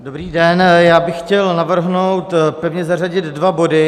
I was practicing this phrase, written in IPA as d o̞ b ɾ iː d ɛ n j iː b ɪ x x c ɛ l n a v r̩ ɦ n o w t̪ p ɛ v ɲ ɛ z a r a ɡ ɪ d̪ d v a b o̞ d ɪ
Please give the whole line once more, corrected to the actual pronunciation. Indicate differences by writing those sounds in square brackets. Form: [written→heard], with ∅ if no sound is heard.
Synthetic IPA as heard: d o̞ b ɾ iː d ɛ n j [iː→aː] b ɪ x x c ɛ l n a v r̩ ɦ n o w t̪ p ɛ v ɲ ɛ z a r a [ɡ→ɟ] ɪ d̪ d v a b o̞ d ɪ